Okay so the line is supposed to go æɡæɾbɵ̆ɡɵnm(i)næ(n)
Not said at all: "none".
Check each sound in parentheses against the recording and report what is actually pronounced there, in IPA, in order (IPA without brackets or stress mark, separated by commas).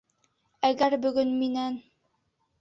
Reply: i, n